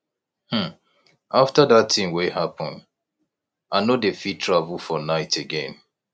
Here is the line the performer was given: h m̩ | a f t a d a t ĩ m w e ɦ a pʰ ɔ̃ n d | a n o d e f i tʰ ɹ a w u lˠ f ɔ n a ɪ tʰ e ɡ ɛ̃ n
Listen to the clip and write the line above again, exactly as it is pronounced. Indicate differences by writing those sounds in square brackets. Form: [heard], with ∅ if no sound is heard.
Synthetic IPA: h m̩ | a f t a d a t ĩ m w e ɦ a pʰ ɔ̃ n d | a n o d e f i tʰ ɹ a [v] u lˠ f ɔ n a ɪ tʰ e ɡ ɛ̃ n